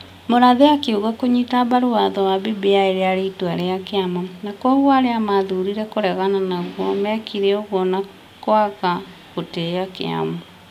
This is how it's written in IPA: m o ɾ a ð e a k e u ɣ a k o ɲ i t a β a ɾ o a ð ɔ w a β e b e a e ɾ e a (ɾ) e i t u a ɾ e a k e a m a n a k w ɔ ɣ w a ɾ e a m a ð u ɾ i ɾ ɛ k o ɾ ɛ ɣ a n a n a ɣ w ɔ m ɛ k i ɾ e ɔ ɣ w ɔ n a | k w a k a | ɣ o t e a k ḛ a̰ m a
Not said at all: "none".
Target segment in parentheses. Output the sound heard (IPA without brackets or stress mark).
ɾ